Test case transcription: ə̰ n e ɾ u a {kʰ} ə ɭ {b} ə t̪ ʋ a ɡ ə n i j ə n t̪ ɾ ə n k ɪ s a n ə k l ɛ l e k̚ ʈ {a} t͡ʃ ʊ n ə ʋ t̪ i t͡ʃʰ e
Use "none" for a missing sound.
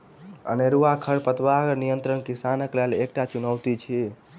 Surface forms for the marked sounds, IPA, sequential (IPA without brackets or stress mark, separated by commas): kʰ, p, a